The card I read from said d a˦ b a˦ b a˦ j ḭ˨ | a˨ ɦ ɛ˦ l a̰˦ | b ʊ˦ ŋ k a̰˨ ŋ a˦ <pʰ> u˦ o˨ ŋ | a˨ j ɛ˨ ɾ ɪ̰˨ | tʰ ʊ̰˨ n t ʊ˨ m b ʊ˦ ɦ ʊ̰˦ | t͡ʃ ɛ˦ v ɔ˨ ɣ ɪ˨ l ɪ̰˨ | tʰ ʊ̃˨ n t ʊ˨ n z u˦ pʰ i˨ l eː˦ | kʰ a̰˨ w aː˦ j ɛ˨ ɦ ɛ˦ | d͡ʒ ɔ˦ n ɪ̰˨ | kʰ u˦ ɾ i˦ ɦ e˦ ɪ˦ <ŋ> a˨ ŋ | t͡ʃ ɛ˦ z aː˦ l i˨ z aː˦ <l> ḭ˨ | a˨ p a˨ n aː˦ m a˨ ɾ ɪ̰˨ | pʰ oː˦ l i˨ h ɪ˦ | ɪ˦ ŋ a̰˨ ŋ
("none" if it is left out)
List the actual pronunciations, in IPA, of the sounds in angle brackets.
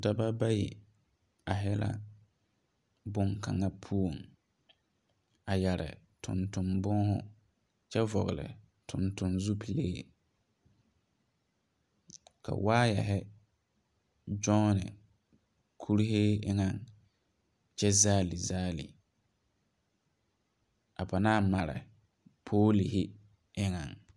pʰ, ŋ, l

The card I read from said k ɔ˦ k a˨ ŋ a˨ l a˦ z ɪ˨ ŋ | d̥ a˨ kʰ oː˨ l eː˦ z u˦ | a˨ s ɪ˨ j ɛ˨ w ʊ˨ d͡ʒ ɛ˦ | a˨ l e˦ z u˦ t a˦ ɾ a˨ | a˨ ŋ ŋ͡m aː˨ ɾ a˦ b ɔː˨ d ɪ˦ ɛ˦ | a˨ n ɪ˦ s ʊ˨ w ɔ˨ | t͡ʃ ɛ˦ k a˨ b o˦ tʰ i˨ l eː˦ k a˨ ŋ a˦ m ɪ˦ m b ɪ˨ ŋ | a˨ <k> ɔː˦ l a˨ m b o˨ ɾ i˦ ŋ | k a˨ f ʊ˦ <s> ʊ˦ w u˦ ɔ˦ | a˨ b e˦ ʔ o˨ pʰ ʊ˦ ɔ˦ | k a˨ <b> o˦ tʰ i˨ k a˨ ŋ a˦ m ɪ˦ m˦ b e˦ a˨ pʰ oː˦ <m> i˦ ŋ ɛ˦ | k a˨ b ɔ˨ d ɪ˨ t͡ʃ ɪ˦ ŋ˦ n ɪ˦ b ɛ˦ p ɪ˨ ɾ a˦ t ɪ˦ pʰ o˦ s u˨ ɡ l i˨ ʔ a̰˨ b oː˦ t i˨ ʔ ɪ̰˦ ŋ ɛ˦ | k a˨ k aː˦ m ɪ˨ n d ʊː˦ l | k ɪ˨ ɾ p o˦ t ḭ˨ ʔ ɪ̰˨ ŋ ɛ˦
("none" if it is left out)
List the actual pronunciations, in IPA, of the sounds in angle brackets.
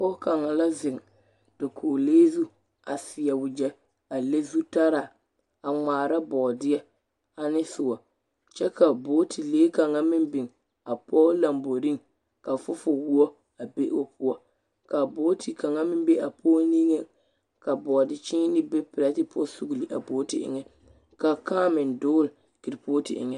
p, f, b, n

